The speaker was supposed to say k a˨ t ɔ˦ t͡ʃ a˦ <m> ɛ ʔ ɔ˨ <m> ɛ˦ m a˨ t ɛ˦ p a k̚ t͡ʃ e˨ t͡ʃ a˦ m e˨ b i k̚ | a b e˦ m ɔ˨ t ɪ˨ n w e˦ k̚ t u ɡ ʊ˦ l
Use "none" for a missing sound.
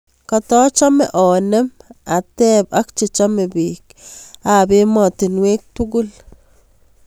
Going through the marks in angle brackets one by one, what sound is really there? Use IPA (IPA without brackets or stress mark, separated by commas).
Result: m, n